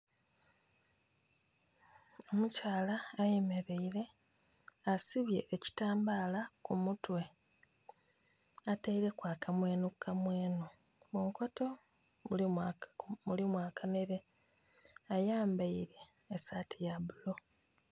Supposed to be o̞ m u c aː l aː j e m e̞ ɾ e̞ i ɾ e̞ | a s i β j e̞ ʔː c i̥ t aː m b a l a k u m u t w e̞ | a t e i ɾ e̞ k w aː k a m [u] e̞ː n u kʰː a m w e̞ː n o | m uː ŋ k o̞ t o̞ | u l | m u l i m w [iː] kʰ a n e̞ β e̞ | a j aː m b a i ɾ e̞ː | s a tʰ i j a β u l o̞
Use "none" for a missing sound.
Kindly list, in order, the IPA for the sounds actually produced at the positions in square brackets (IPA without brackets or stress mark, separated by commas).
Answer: w, aː